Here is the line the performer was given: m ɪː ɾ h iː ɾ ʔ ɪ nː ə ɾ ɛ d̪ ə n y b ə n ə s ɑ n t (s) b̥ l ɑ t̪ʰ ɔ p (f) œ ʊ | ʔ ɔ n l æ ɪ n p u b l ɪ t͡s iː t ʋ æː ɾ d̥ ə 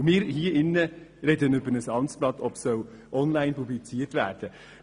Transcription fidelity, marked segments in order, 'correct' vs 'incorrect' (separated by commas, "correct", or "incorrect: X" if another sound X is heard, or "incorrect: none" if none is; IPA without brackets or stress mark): correct, incorrect: s